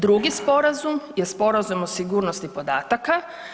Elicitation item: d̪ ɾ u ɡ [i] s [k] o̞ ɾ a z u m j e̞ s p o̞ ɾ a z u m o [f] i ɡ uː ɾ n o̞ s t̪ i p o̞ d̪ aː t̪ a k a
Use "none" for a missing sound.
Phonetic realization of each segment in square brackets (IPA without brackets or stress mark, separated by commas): i, p, s